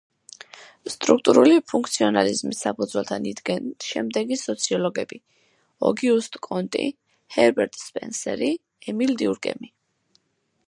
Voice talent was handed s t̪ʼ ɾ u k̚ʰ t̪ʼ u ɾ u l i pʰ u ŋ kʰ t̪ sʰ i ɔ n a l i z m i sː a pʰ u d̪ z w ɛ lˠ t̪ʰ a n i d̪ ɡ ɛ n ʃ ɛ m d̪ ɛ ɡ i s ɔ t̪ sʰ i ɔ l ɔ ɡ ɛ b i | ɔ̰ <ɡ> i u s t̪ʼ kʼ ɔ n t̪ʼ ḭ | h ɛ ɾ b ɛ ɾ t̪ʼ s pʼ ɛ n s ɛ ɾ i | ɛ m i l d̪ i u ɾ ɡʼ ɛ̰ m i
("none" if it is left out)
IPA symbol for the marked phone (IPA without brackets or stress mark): ɡ